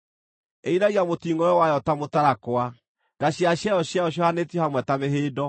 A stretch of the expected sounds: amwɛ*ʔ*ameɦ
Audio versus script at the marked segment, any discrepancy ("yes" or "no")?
yes